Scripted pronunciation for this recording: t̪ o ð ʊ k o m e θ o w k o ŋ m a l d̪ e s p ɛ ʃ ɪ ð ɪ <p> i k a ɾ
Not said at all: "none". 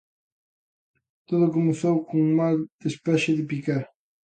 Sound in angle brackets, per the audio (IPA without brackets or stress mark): p